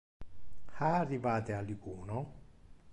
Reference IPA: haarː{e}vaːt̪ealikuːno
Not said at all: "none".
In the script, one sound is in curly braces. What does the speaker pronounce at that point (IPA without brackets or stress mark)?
i